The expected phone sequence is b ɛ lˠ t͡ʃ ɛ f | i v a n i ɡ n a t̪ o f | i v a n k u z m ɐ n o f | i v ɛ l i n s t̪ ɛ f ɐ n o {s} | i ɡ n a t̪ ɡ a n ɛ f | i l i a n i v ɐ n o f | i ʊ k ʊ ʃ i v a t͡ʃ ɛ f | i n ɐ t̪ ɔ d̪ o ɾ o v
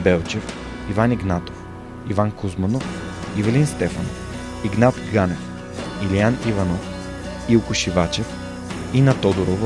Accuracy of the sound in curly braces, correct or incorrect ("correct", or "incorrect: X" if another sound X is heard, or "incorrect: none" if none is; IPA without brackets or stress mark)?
incorrect: f